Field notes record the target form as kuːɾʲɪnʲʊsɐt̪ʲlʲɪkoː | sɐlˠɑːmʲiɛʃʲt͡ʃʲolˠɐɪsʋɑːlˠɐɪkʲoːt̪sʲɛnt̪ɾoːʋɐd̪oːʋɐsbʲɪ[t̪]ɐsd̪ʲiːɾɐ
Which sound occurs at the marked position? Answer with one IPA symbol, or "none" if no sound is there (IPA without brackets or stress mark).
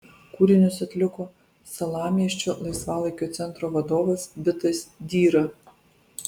t̪